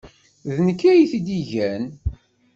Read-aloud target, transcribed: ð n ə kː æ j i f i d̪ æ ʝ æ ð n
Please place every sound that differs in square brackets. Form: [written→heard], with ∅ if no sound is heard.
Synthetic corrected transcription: ð n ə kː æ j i [f→θ] i d̪ [æ→i] ʝ æ [ð→∅] n